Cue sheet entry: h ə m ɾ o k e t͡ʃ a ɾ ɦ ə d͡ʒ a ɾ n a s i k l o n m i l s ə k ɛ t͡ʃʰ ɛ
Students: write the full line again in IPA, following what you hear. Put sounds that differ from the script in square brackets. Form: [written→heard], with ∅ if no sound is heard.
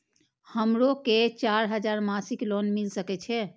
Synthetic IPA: h ə m ɾ o k e t͡ʃ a ɾ ɦ ə d͡ʒ a ɾ [n→m] a s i k l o n m i l s ə k ɛ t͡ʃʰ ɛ

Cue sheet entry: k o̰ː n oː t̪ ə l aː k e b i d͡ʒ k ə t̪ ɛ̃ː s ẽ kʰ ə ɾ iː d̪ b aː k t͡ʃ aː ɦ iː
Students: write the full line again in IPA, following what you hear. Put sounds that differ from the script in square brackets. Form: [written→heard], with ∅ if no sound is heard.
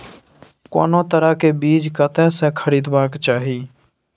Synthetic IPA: k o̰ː n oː t̪ ə [l→ɾ] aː k e b [i→iː] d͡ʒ k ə t̪ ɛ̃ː s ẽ kʰ ə ɾ iː d̪ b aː k t͡ʃ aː ɦ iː

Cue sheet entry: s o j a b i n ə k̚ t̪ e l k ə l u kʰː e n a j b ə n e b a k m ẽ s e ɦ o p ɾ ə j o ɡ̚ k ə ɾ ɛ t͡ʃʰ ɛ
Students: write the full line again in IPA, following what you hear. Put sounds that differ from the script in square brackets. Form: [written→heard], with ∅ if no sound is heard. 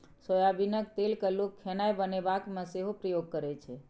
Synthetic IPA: s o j a b i n ə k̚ t̪ e l k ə l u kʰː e n a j b ə n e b a k m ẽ s e ɦ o p ɾ ə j o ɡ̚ k ə ɾ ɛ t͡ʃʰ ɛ

